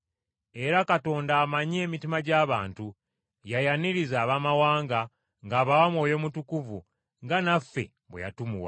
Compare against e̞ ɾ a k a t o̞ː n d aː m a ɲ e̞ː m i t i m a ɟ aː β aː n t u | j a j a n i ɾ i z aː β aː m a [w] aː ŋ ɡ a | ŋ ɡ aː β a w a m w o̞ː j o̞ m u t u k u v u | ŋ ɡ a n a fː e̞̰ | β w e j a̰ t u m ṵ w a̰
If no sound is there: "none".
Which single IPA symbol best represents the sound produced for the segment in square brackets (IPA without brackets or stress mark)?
w